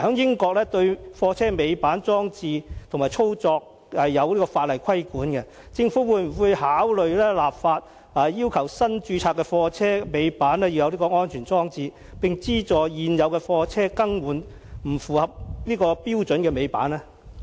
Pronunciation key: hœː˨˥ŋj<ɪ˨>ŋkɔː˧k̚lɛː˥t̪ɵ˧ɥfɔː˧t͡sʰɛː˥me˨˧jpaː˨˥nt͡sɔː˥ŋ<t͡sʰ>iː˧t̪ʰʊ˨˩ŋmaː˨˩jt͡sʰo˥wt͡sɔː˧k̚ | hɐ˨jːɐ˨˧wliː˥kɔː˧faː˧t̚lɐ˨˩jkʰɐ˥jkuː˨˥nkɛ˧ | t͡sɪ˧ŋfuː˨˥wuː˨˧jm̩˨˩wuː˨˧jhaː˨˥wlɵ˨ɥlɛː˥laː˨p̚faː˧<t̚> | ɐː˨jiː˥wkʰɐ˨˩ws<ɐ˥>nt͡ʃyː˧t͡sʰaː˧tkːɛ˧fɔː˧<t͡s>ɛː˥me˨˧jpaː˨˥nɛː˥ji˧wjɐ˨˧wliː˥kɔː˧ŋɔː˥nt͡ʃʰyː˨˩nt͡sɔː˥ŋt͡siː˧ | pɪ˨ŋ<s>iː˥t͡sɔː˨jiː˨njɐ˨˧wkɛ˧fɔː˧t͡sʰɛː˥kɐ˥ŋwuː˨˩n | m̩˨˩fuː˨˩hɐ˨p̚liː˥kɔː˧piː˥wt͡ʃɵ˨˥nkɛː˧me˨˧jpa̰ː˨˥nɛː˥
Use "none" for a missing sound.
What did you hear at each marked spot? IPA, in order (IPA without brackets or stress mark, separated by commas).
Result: ɪ˥, t͡s, t̚, ɐ˥, t͡sʰ, t͡s